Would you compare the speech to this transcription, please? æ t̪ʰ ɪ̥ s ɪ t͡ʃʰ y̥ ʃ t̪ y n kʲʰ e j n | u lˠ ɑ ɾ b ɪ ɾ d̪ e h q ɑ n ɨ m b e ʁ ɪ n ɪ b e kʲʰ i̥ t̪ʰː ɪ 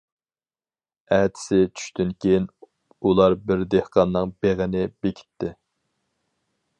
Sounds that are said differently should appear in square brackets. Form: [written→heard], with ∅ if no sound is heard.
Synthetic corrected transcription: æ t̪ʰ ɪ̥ s ɪ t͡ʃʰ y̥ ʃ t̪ y n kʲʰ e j n | u lˠ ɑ ɾ b ɪ ɾ d̪ e h q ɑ [n→nː] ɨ [m→ŋ] b e ʁ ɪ n ɪ b e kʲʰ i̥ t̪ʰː ɪ